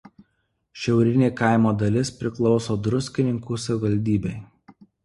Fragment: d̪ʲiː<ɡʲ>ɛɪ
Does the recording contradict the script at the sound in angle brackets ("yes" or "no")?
yes